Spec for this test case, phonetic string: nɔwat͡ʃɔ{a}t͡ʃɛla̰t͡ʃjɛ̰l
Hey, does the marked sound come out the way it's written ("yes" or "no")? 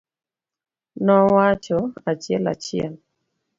yes